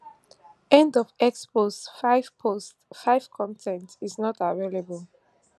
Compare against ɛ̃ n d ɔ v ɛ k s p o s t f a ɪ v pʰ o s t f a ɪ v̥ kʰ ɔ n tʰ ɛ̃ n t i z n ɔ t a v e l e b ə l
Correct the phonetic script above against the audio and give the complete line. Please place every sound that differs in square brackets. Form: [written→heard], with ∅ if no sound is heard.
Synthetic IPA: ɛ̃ n d ɔ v ɛ k s p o s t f a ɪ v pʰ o s t f a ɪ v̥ kʰ [ɔ→ɔ̃] n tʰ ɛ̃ n t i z n ɔ t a v e l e b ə l